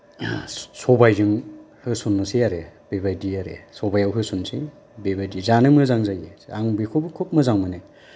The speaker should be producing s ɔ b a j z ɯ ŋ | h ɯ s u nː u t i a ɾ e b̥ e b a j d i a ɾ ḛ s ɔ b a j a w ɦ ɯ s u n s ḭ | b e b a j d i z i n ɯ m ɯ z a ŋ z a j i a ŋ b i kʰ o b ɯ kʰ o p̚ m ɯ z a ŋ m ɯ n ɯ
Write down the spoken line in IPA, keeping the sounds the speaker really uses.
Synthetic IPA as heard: s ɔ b a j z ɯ ŋ | h ɯ s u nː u s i a ɾ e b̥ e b a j d i a ɾ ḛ s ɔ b a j a w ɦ ɯ s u n s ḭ | b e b a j d i z a n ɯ m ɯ z a ŋ z a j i a ŋ b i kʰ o b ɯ kʰ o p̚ m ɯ z a ŋ m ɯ n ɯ